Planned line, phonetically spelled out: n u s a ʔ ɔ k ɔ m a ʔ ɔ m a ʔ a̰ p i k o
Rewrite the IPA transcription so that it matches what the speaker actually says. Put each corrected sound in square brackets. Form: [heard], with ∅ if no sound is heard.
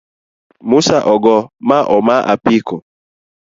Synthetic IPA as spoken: [m] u s a ʔ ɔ [ɡ] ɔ m a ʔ ɔ m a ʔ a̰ p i k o

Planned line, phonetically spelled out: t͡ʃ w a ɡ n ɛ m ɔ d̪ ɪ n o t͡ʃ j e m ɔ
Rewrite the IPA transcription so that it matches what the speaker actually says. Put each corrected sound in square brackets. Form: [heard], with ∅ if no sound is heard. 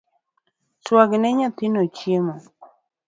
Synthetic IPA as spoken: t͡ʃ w a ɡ n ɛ [ɲ] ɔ [t̪] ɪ n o t͡ʃ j e m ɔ

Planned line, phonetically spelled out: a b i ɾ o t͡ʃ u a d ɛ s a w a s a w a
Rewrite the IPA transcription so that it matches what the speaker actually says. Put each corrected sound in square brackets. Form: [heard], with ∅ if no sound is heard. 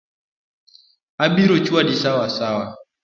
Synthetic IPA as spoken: a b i ɾ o t͡ʃ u a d [i] s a w a s a w a

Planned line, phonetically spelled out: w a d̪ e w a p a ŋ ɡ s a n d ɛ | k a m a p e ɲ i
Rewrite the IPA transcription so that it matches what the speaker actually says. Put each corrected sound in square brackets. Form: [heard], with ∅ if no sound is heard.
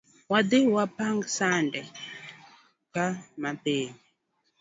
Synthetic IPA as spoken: w a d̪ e w a p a ŋ ɡ s a n d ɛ | k a m a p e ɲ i

